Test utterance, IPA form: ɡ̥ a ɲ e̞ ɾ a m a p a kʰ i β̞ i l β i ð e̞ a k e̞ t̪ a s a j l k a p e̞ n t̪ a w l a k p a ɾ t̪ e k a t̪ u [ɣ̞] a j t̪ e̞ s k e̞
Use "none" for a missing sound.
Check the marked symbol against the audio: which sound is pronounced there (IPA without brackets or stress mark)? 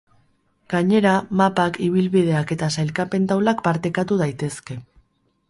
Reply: ð̞